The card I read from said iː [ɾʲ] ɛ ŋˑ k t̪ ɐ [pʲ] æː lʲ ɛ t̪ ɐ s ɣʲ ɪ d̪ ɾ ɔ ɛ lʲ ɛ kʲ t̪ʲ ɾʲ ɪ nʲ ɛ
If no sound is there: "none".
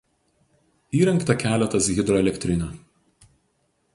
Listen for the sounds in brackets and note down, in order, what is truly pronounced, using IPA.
ɾʲ, kʲ

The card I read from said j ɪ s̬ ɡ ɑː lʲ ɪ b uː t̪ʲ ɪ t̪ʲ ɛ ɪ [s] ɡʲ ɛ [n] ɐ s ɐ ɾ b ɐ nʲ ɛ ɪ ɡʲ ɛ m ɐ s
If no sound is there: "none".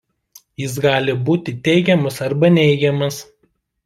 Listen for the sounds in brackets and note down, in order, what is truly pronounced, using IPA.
none, m

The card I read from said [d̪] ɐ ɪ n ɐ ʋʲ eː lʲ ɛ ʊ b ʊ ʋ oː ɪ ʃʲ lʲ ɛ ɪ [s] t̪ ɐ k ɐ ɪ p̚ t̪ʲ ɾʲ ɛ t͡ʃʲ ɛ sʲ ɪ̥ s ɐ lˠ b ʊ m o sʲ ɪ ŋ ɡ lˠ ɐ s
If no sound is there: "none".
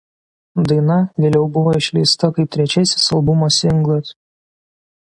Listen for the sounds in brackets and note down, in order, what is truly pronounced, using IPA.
d̪, s

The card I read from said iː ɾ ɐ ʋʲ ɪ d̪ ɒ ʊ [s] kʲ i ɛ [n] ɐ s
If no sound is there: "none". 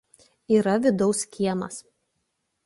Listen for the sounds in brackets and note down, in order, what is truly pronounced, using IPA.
s, m

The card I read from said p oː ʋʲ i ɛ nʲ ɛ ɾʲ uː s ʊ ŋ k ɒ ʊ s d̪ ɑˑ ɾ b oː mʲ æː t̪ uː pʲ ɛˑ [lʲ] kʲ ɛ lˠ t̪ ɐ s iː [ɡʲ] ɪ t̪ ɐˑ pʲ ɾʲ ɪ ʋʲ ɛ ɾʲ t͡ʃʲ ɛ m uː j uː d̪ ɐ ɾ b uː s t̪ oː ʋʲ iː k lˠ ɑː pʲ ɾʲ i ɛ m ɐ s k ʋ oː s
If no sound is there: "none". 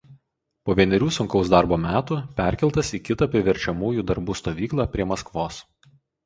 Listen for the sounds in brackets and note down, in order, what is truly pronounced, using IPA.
ɾʲ, kʲ

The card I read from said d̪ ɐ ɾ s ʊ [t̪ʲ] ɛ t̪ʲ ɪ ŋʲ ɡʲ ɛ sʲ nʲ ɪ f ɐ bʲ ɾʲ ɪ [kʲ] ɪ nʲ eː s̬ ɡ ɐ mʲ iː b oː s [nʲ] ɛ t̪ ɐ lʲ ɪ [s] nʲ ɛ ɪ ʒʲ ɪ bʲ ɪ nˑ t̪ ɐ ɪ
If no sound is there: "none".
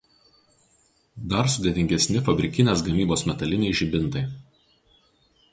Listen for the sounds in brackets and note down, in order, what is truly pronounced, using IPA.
d̪ʲ, kʲ, mʲ, none

